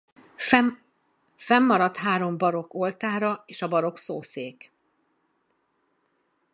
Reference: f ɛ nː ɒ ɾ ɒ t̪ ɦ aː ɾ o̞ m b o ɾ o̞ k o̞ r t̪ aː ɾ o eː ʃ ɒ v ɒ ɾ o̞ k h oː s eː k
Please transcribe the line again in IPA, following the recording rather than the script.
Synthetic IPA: f ɛ mː ɒ ɾ ɒ t̪ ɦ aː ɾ o̞ m b ɒ ɾ o̞ k o̞ l t̪ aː ɾ ɒ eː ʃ ɒ b ɒ ɾ o̞ k s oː s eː k